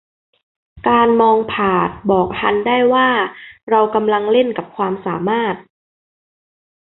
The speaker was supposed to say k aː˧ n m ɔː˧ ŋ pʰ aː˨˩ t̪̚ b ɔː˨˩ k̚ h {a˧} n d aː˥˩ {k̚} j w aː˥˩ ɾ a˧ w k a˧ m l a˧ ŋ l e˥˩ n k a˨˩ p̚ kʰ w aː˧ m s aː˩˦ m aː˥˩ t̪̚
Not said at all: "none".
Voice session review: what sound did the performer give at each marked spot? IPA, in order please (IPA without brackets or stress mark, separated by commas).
a˧, none